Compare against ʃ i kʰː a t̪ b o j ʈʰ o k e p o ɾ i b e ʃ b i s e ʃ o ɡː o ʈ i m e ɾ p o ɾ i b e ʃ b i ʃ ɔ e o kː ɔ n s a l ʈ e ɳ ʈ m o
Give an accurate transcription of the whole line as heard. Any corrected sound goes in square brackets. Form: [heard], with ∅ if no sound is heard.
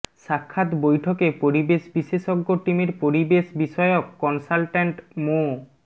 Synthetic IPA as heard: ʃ [a] kʰː a t̪ b o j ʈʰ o k e p o ɾ i b e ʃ b i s e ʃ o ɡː o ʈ i m e ɾ p o ɾ i b e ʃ b i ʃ ɔ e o kː ɔ n s a l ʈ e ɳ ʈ m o